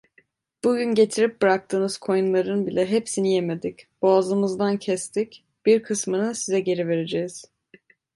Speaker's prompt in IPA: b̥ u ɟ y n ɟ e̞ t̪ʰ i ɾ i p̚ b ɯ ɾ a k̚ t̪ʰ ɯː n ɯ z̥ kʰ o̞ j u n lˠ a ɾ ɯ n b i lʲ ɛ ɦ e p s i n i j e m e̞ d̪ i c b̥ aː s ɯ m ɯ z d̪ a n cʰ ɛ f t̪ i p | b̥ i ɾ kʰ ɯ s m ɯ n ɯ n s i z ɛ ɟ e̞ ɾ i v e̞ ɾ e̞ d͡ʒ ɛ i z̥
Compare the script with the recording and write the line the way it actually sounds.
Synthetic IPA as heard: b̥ u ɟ y n ɟ e̞ t̪ʰ i ɾ i p̚ b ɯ ɾ a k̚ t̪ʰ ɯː n ɯ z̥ kʰ o̞ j u n lˠ a ɾ ɯ n b i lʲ ɛ ɦ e p s i n i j e m e̞ d̪ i c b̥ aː z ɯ m ɯ z d̪ a n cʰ ɛ s t̪ i c | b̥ i ɾ kʰ ɯ s m ɯ n ɯ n s i z ɛ ɟ e̞ ɾ i v e̞ ɾ e̞ d͡ʒ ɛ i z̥